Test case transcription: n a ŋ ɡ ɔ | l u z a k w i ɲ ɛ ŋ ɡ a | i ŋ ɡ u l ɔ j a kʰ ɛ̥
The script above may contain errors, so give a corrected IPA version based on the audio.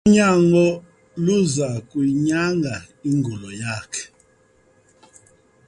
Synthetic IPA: ɲ a ŋ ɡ ɔ | l u z a k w i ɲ a ŋ ɡ a | i ŋ ɡ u l ɔ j a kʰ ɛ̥